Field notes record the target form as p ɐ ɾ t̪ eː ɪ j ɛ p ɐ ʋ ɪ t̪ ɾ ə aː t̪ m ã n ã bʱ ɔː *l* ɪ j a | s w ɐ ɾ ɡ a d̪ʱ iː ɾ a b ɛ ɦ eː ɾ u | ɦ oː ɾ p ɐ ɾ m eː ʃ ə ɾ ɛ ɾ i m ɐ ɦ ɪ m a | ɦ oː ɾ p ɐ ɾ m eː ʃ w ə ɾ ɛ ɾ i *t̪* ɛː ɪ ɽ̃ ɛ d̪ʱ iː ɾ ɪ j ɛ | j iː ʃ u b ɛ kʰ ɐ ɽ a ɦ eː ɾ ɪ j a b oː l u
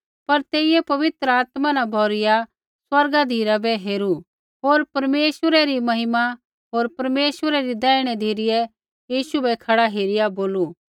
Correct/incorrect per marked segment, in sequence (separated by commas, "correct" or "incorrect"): incorrect, incorrect